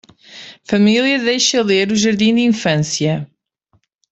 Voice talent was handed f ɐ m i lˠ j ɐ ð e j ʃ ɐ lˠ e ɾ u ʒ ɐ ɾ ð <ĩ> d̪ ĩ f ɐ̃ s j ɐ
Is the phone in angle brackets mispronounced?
no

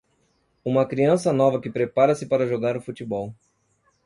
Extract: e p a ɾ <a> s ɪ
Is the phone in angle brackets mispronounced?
yes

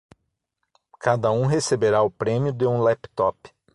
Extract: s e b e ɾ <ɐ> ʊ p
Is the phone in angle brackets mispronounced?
yes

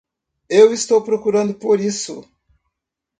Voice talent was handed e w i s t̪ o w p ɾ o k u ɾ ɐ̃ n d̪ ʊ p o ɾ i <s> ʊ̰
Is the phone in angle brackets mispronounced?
no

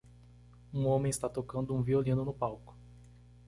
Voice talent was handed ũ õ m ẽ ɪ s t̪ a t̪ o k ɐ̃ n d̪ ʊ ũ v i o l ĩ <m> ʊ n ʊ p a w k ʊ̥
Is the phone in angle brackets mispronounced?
yes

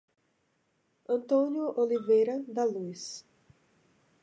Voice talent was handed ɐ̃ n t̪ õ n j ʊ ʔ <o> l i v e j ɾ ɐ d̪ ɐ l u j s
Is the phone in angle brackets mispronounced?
no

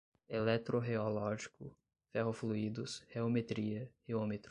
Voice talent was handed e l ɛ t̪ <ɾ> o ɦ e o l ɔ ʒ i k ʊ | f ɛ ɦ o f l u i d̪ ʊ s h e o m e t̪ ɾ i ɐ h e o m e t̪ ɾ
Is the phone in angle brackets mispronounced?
no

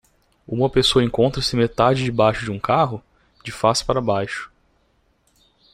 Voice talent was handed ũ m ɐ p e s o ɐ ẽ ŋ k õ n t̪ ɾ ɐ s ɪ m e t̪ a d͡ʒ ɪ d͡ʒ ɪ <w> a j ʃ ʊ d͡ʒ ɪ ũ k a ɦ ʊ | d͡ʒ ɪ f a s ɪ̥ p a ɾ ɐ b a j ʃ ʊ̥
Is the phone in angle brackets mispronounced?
yes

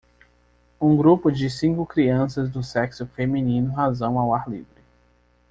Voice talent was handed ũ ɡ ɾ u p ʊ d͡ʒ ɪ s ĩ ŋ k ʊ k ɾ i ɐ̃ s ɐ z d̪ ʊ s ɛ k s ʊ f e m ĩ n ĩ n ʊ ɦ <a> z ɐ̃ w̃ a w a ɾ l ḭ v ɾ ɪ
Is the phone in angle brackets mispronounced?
no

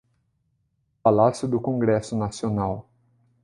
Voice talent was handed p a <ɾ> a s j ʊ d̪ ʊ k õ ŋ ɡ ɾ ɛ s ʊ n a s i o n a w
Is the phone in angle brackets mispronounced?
yes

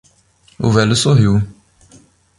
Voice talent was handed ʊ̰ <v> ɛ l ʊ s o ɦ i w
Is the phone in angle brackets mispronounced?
no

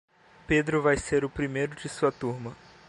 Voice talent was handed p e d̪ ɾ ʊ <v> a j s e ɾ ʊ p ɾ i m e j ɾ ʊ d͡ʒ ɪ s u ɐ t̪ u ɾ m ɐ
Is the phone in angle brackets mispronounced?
no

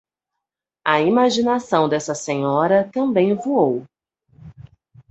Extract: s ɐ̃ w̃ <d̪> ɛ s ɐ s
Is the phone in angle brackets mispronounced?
no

